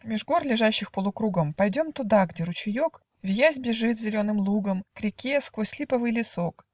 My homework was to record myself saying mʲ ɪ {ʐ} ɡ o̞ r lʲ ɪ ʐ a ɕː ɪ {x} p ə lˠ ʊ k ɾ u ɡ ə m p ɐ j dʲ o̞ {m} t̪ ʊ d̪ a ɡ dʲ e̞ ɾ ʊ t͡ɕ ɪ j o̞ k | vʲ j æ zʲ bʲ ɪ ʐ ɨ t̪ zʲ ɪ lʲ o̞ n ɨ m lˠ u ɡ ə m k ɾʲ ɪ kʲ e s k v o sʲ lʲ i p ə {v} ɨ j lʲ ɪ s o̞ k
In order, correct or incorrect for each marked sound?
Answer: correct, correct, correct, correct

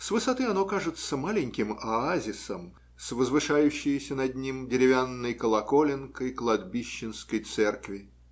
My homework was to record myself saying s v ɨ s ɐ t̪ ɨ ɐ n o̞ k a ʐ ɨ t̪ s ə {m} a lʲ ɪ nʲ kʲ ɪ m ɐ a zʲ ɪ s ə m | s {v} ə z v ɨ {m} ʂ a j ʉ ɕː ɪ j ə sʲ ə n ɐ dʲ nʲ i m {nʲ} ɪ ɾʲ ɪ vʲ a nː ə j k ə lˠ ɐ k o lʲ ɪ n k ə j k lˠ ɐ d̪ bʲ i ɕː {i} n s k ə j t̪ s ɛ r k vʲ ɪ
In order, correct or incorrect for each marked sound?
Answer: correct, correct, incorrect, incorrect, incorrect

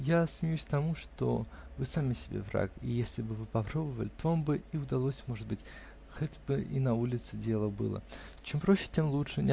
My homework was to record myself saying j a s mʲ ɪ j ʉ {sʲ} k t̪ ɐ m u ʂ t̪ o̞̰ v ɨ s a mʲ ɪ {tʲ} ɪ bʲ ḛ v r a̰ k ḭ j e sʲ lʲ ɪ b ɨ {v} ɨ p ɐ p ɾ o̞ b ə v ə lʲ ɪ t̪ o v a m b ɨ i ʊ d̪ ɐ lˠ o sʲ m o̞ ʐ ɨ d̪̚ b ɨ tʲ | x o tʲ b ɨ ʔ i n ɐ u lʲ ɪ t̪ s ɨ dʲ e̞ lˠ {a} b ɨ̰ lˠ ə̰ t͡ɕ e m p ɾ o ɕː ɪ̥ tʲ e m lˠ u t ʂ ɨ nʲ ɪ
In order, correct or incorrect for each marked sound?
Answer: correct, incorrect, correct, incorrect

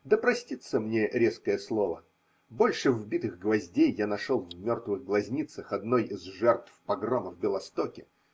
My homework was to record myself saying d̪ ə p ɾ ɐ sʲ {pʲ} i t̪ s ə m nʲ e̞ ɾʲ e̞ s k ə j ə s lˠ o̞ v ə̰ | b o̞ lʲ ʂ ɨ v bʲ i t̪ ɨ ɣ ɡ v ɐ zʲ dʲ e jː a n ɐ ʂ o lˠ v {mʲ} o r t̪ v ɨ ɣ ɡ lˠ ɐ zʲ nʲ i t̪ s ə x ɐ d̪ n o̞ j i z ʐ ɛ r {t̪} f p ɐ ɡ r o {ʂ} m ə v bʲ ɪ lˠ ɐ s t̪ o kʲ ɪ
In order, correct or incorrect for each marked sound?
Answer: incorrect, correct, correct, incorrect

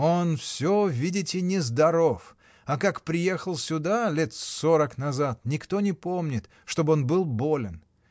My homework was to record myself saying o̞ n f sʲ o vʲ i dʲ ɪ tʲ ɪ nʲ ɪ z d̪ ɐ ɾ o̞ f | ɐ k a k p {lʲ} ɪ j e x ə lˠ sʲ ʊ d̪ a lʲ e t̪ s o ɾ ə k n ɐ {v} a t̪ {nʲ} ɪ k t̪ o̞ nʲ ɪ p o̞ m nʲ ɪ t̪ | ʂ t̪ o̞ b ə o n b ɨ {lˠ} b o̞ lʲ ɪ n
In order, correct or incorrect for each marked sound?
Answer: incorrect, incorrect, correct, correct

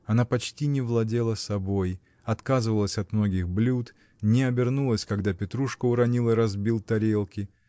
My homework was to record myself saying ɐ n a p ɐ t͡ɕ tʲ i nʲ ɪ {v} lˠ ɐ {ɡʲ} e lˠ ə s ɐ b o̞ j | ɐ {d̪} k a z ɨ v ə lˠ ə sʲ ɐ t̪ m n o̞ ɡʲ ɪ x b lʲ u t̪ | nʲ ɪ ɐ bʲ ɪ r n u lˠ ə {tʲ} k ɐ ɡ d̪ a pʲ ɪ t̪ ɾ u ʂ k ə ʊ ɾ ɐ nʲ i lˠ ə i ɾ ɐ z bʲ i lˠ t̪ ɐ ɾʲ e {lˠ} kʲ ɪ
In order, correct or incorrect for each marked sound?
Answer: correct, incorrect, incorrect, incorrect, correct

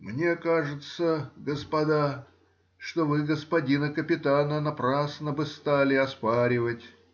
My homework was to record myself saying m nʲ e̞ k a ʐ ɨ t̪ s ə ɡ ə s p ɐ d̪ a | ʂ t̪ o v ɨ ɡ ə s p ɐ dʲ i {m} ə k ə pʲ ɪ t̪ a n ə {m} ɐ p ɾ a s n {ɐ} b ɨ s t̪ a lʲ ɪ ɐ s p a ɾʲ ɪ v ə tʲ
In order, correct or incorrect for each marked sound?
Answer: incorrect, incorrect, incorrect

